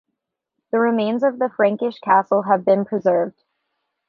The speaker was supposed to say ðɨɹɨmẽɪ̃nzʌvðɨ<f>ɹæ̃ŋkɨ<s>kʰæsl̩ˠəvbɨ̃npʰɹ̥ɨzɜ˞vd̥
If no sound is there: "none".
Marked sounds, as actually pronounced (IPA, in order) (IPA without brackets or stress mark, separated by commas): f, ʃ